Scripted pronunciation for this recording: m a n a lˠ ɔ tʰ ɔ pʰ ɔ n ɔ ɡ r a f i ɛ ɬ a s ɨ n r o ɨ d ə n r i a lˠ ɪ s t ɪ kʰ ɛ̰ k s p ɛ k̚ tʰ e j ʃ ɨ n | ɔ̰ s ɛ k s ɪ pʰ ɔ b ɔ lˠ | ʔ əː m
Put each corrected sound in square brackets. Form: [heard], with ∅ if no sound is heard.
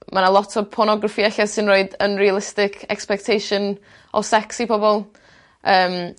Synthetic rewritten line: m a n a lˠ ɔ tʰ ɔ pʰ ɔ n ɔ ɡ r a f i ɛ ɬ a s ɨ n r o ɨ d ə n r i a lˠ ɪ s t ɪ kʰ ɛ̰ k s p ɛ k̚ tʰ e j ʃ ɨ n | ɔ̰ s ɛ k s [i] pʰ ɔ b ɔ lˠ | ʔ əː m